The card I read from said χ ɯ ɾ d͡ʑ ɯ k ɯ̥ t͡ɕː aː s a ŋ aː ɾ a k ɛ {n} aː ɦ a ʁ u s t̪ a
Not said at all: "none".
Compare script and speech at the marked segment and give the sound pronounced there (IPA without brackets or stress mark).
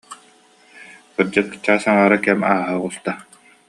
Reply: m